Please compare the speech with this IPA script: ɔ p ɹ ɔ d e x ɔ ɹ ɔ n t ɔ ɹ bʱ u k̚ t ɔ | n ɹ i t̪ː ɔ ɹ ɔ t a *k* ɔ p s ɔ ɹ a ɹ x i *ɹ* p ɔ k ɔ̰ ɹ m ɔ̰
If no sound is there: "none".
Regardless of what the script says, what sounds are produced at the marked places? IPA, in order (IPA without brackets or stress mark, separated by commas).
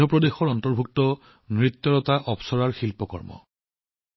ʔ, l